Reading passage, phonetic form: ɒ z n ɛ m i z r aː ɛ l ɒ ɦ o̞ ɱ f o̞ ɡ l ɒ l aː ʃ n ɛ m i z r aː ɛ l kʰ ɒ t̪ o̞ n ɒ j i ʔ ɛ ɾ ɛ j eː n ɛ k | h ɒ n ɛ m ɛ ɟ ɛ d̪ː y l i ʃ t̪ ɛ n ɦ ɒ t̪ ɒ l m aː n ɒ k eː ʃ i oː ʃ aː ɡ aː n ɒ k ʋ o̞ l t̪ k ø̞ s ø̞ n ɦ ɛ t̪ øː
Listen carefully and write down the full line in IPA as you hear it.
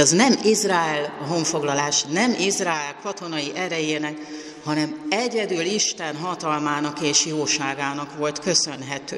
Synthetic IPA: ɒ z n ɛ m i z r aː ɛ l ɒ ɦ o̞ ɱ f o̞ ɡ l ɒ l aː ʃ n ɛ m i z r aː ɛ l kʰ ɒ t̪ o̞ n ɒ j i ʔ ɛ ɾ ɛ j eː n ɛ k | h ɒ n ɛ m ɛ ɟ ɛ d̪ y l i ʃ t̪ ɛ n ɦ ɒ t̪ ɒ l m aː n ɒ k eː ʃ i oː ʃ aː ɡ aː n ɒ k ʋ o̞ l t̪ k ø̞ s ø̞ n ɦ ɛ t̪ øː